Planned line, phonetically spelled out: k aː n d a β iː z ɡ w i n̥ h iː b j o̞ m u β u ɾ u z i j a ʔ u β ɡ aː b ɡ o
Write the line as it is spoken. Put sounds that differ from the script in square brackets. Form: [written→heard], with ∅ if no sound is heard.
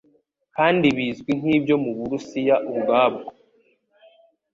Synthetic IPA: k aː n d [a→i] β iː z ɡ w i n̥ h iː b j o̞ m u β u ɾ u [z→s] i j a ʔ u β ɡ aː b ɡ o